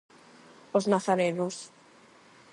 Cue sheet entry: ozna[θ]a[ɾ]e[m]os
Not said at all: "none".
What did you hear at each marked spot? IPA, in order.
θ, ɾ, n

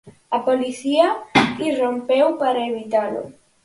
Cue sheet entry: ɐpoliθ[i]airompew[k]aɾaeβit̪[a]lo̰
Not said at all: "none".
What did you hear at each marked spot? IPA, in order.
i, p, a

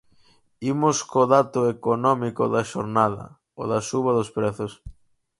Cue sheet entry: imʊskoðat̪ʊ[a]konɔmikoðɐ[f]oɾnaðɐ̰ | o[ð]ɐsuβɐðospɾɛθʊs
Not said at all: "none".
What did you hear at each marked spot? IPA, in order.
e, ʃ, ð

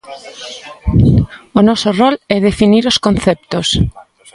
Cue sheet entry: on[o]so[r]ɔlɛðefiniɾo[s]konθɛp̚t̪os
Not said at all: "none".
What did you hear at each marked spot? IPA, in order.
ɔ, r, s

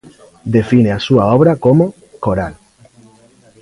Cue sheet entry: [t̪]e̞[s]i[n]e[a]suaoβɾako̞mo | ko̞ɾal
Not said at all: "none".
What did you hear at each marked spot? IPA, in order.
d̪, f, n, a

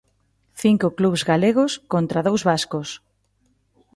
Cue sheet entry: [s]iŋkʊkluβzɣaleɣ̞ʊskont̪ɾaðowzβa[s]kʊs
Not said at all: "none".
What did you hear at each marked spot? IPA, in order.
θ, s

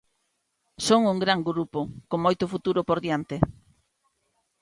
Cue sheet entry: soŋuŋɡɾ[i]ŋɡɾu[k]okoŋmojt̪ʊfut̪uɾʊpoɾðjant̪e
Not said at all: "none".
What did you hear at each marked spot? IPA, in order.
a, p

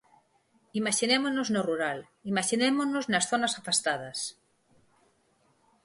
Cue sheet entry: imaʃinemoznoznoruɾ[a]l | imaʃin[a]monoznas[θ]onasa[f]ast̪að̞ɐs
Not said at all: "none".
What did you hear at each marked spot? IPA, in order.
a, e, θ, f

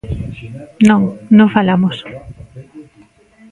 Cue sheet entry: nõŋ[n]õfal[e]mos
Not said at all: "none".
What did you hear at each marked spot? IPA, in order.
n, a

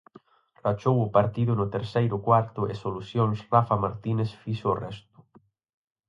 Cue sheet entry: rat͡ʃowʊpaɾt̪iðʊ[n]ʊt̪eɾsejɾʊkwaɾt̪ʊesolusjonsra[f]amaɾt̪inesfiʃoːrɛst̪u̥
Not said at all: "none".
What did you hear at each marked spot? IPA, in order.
n, f

